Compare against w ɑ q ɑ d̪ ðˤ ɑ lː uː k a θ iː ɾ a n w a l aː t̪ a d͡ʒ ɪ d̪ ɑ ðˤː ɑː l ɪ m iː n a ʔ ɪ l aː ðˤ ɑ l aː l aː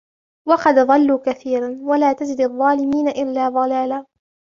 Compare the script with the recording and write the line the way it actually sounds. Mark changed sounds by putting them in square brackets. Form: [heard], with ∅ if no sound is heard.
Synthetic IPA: w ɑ q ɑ d̪ ðˤ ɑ lː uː k a θ iː ɾ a n w a l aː t̪ a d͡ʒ ɪ d̪ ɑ ðˤː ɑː l ɪ m iː n a ʔ ɪ [lː] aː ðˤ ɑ l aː l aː

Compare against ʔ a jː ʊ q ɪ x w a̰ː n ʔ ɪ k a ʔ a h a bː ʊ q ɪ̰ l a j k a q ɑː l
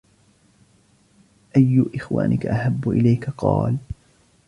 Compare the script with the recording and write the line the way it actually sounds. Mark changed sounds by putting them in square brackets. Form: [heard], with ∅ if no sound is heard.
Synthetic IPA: ʔ a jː ʊ [ʔ] ɪ x w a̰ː n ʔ ɪ k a ʔ a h a bː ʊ [ʔ] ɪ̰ l a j k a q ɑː l

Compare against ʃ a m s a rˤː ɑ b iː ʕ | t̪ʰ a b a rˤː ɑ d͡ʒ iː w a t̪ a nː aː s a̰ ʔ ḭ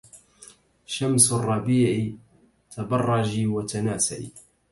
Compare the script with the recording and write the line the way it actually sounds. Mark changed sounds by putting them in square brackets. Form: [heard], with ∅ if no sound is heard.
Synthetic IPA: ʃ a m s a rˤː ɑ b iː ʕ | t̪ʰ a b [ɑ] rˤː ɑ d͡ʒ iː w a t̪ a [n] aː s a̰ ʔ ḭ

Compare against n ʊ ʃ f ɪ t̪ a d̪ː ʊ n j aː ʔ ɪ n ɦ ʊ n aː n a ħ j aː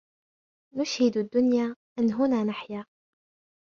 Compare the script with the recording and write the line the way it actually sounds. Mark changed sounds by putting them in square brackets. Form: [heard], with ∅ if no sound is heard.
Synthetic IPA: n ʊ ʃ [h] ɪ [d̪] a d̪ː ʊ n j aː ʔ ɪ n ɦ ʊ n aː n a ħ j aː

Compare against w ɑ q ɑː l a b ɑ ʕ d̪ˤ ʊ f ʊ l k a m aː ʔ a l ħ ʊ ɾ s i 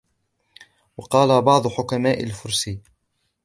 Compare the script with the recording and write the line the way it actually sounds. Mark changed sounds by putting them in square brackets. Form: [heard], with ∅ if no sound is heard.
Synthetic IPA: w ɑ q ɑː l a b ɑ ʕ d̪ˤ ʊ [ħ] ʊ [∅] k a m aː ʔ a l [f] ʊ ɾ s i

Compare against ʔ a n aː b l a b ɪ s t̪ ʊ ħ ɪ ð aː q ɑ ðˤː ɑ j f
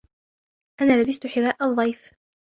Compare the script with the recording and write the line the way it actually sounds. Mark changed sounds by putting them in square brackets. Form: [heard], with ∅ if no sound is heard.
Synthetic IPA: ʔ a n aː [∅] l a b ɪ s t̪ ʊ ħ ɪ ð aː [ʔ] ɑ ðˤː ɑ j f

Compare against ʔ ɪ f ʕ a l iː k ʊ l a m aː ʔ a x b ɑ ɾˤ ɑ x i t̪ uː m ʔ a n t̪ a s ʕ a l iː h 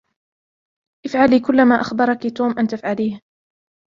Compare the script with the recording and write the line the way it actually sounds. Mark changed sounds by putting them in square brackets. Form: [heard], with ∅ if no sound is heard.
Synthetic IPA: ʔ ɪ f ʕ a l iː k ʊ [lː] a m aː ʔ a x b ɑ ɾˤ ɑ [k] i t̪ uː m ʔ a n t̪ a [f] ʕ a l iː h

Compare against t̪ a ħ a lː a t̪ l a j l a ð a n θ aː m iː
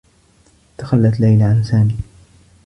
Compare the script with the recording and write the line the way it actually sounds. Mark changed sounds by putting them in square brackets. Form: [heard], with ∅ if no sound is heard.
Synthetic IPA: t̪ a [x] a lː a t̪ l a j l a [ʕ] a n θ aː m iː

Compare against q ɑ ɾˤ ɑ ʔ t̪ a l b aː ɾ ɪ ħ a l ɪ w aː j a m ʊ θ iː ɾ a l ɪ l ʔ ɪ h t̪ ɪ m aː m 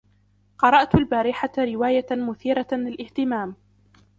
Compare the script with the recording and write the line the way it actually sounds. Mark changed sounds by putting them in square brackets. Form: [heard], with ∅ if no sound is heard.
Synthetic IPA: q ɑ ɾˤ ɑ ʔ t̪ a l b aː ɾ ɪ ħ a [ɾ] ɪ w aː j a m ʊ θ iː ɾ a l ɪ l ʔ ɪ h t̪ ɪ m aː m

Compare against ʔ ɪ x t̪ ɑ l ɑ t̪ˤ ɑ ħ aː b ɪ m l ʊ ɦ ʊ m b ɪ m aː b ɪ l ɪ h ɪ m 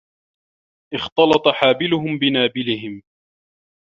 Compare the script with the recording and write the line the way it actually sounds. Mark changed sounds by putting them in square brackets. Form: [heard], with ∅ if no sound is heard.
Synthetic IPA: ʔ ɪ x t̪ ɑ l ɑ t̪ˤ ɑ ħ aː b ɪ [∅] l ʊ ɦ ʊ m b ɪ [n] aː b ɪ l ɪ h ɪ m

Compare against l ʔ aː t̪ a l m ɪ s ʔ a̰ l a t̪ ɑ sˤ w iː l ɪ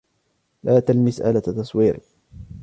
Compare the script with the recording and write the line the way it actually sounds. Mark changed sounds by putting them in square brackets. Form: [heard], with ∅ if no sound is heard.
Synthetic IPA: l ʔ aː t̪ a l m ɪ s ʔ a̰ l a t̪ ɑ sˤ w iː [ɾ] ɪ

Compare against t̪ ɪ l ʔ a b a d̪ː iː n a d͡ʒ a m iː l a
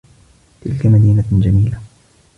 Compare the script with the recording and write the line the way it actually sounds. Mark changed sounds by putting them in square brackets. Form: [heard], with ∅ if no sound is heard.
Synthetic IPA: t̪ ɪ l [k] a [m] a [d̪] iː n a d͡ʒ a m iː l a

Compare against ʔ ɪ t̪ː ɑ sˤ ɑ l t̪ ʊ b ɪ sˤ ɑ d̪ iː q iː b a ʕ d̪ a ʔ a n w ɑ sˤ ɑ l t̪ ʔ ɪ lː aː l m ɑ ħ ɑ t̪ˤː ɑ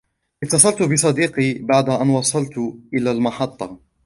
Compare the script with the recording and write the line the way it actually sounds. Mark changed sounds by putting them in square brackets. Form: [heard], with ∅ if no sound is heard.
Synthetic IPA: ʔ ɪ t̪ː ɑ sˤ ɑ l t̪ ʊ b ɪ sˤ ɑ d̪ iː q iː b a ʕ d̪ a ʔ a n w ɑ sˤ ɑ l t̪ ʔ ɪ [l] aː l m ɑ ħ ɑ t̪ˤː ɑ

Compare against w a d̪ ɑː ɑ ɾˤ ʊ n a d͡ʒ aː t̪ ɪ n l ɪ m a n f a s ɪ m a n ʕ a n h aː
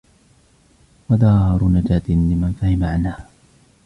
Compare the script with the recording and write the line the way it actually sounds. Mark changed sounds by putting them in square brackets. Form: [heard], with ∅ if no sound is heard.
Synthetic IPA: w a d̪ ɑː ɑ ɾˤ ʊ n a d͡ʒ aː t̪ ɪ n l ɪ m a n f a [h] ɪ m a [∅] ʕ a n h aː

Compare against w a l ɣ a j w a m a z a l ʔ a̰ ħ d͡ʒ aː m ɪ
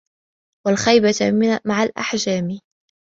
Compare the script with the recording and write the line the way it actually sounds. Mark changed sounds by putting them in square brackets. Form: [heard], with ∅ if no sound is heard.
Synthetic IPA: w a l [x] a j [b] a m a [ʕ] a l ʔ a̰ ħ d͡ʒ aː m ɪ

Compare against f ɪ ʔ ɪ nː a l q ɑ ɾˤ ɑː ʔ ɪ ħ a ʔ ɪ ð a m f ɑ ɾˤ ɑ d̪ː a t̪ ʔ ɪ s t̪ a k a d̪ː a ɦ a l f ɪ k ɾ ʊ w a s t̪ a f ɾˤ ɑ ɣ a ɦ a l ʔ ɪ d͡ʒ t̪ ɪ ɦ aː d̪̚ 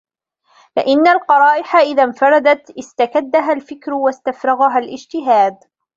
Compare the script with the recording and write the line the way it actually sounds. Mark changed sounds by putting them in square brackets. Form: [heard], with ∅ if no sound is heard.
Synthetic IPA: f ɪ ʔ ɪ nː a l q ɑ ɾˤ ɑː ʔ ɪ ħ a ʔ ɪ ð a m f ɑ ɾˤ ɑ [d̪] a t̪ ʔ ɪ s t̪ a k a d̪ː a ɦ a l f ɪ k ɾ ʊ w a s t̪ a f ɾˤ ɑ ɣ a ɦ a l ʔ ɪ d͡ʒ t̪ ɪ ɦ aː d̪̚

